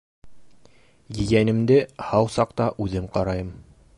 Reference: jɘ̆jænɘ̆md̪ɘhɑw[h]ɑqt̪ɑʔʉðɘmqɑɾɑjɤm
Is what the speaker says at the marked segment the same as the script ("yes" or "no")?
no